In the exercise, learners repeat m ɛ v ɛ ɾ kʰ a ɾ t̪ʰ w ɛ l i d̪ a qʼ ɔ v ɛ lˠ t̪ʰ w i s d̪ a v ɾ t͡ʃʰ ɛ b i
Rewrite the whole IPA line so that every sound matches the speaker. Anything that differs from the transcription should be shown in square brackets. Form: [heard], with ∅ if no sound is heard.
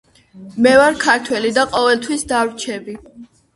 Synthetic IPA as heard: m ɛ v [a] ɾ kʰ a ɾ t̪ʰ w ɛ l i d̪ a qʼ ɔ v ɛ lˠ t̪ʰ w i s d̪ a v ɾ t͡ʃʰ ɛ b i